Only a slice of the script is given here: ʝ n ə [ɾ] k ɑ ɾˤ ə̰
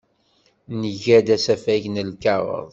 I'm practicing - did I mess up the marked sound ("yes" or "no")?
yes